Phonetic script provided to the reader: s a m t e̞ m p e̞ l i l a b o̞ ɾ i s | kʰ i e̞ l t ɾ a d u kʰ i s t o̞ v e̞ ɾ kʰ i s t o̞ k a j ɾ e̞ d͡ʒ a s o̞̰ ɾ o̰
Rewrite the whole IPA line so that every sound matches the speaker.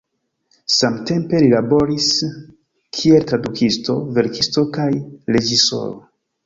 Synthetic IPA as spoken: s a m t e̞ m p e̞ l i l a b o̞ ɾ i s | kʰ i e̞ l t ɾ a d u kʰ i s t o̞ v e̞ ɾ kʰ i s t o̞ k a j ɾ e̞ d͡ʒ i s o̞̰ ɾ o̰